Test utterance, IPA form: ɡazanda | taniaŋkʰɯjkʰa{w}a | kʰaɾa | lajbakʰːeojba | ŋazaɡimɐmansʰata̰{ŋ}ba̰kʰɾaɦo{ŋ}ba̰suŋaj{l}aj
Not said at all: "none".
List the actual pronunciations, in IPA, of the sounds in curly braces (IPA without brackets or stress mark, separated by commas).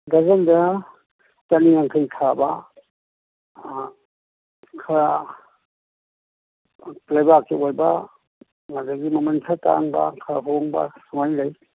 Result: b, ŋ, ŋ, l